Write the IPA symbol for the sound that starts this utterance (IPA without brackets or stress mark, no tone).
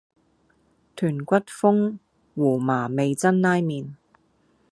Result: t̪ʰ